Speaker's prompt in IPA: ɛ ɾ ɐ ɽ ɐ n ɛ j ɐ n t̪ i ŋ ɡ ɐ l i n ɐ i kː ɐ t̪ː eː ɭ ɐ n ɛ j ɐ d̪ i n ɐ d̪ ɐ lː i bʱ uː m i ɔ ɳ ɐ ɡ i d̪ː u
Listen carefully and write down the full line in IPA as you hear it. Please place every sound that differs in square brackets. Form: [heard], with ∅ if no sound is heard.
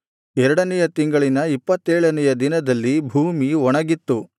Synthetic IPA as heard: ɛ ɾ ɐ ɽ ɐ n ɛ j ɐ [∅] t̪ i ŋ ɡ ɐ [ɭ] i n ɐ i [pː] ɐ t̪ː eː ɭ ɐ n ɛ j ɐ d̪ i n ɐ d̪ ɐ lː i bʱ uː m i ɔ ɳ ɐ ɡ i [t̪ː] u